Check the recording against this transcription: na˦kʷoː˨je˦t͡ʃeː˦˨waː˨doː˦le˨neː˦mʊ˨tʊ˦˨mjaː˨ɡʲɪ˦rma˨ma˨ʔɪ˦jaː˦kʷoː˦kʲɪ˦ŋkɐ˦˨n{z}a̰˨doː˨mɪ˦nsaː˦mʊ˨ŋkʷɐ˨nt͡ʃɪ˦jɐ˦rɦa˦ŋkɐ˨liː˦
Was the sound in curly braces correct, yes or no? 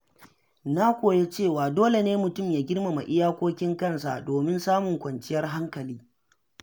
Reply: no